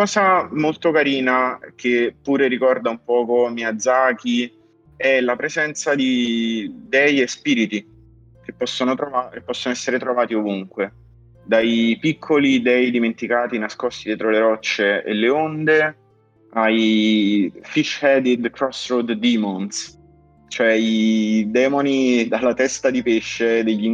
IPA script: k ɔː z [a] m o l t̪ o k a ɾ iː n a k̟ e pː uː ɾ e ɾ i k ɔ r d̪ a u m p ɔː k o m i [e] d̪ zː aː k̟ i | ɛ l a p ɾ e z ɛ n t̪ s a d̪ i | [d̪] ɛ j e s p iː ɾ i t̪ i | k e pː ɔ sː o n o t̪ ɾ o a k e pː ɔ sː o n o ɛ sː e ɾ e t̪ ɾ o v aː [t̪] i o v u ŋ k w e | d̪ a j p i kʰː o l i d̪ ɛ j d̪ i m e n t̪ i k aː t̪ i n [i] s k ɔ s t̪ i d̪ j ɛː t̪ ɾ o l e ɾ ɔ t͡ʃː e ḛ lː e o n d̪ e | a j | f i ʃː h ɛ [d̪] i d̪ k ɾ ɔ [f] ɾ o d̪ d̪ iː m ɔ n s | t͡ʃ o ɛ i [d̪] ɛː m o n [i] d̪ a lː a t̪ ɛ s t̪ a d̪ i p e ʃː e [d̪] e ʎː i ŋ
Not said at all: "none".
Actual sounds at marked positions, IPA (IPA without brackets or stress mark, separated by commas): a, a, d̪, t̪, a, d̪, s, d̪, i, d̪